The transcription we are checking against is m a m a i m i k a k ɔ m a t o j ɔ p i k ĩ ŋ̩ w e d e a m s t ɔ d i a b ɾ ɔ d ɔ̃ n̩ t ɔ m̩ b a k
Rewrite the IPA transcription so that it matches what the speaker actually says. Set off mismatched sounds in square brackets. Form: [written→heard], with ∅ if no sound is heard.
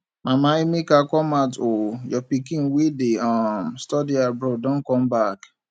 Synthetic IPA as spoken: m a m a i m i k a k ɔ m a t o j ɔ p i k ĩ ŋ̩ w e d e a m s t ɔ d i a b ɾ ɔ d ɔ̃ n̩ [t→k] ɔ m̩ b a k